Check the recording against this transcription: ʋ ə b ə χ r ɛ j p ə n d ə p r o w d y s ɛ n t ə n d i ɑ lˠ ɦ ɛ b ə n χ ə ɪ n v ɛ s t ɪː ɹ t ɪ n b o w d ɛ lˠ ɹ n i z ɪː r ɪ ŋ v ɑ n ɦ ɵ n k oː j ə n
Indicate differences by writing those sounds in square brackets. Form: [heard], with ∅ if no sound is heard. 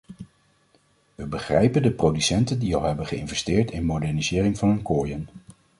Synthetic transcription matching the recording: ʋ ə b ə χ r ɛ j p ə n d ə p r o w d y s ɛ n t ə n d i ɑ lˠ ɦ ɛ b ə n χ ə ɪ n v ɛ s t ɪː ɹ t ɪ n [m] o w d ɛ [∅] ɹ n i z ɪː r ɪ ŋ v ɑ n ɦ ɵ n k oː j ə n

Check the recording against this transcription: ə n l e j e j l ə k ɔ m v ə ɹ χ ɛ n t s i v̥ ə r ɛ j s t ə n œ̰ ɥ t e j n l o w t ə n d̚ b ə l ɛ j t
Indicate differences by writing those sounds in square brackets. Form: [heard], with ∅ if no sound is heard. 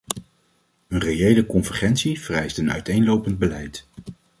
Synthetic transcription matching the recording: ə n [r] e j e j l ə k ɔ [n] v ə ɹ χ ɛ n t s i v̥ ə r ɛ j s t ə n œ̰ ɥ t e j n l o w [p] ə n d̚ b ə l ɛ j t

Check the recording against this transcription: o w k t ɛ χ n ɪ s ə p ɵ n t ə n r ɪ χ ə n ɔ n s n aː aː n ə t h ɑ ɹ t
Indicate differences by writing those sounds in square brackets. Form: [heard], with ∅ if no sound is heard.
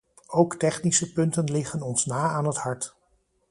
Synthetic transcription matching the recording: o w k t ɛ χ n [i] s ə p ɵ n t ə n [l] ɪ χ ə n ɔ n s n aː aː n ə t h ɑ ɹ t

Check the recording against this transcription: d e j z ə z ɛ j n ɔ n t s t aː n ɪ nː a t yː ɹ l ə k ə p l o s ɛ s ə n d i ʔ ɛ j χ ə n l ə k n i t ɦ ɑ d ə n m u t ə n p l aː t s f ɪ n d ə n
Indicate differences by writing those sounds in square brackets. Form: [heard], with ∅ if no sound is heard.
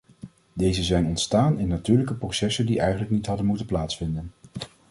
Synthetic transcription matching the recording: d e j z ə z ɛ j n ɔ n t s t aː n ɪ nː a t yː ɹ l ə k ə p [r] o s ɛ s ə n d i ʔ ɛ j χ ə n l ə k n i t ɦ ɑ d ə n m u t ə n p l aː t s f ɪ n d ə n

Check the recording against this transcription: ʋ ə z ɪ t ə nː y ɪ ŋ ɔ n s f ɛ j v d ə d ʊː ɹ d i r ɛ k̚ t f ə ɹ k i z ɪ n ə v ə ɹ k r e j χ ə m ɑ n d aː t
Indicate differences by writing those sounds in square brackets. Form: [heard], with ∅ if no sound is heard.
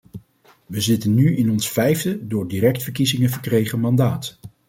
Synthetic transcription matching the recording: ʋ ə z ɪ t ə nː y ɪ [n] ɔ n s f ɛ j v d ə d ʊː ɹ d i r ɛ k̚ t f ə ɹ k i z ɪ [ŋ] ə v ə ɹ k r e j χ ə m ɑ n d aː t

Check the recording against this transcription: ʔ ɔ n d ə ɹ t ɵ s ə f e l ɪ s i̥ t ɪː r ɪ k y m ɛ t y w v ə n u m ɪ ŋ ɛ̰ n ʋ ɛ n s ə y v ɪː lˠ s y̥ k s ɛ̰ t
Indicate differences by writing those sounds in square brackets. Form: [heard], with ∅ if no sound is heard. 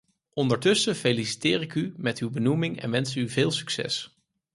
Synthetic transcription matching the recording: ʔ ɔ n d ə ɹ t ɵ s ə f e l [i] s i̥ t ɪː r ɪ k y m ɛ t y w [b] ə n u m ɪ ŋ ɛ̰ n ʋ ɛ n s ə y v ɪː lˠ s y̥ k s ɛ̰ [s]

